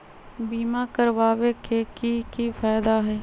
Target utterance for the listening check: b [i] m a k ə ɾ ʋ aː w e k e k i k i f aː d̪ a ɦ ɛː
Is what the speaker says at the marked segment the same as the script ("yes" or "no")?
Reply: no